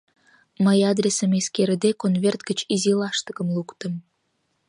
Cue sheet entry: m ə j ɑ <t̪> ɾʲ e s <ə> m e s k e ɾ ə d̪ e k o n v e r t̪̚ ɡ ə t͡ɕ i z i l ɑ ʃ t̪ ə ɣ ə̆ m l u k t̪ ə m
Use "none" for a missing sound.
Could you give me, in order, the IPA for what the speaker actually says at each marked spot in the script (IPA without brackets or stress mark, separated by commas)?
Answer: d̪, ə